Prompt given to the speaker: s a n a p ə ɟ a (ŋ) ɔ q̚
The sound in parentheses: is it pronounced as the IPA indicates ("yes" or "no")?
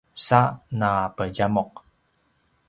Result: no